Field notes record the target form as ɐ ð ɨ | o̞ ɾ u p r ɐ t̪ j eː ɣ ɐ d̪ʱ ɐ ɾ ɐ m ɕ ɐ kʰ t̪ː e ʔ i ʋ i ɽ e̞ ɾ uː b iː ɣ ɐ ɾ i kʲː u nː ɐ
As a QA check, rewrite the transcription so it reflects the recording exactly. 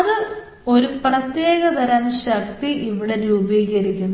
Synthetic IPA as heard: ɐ ð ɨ | o̞ ɾ u p r ɐ t̪ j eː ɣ ɐ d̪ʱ ɐ ɾ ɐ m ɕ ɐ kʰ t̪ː i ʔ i ʋ i ɽ e̞ ɾ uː b iː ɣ ɐ ɾ i kʲː u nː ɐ

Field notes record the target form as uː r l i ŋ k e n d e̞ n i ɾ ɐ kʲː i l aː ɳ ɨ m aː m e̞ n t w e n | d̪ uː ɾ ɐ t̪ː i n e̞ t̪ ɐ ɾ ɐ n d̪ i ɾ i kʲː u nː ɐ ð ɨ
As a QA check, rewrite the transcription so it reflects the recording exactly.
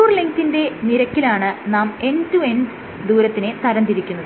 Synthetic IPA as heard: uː r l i ŋ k i n d e̞ n i ɾ ɐ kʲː i l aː ɳ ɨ n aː m e̞ n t u e n | d̪ uː ɾ ɐ t̪ː i n e̞ t̪ ɐ ɾ ɐ n d̪ i ɾ i kʲː u nː ɐ ð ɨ

